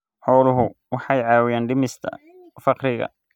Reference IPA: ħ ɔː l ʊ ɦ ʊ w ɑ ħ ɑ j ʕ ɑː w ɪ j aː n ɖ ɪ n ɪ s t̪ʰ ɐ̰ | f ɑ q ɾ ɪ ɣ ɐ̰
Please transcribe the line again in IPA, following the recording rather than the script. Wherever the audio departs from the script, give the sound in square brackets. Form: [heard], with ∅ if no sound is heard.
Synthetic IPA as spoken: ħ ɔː l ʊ ɦ ʊ w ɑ ħ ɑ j ʕ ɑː w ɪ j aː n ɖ ɪ [m] ɪ s t̪ʰ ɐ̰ | f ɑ q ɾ ɪ ɣ ɐ̰